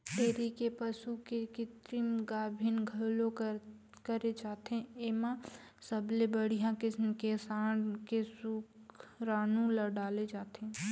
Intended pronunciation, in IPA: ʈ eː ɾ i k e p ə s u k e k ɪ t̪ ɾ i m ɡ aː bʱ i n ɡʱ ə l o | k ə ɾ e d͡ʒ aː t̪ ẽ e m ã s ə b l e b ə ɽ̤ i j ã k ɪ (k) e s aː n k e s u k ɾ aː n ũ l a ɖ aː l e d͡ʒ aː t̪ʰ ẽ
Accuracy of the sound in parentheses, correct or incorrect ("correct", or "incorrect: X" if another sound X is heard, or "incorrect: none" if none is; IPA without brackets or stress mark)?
correct